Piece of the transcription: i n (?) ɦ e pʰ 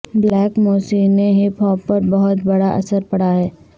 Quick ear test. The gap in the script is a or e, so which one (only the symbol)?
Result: e